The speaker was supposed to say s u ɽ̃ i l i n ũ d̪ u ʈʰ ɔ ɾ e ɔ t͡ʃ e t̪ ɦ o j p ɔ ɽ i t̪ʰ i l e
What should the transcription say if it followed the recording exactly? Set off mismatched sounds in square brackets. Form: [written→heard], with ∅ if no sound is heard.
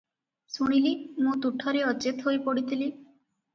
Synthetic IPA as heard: s u ɽ̃ i l i [n→m] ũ [d̪→t̪] u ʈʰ ɔ ɾ e ɔ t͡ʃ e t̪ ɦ o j p ɔ ɽ i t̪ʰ i l [e→i]